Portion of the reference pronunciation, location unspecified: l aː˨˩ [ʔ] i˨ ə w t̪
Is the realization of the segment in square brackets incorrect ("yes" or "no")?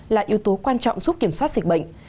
no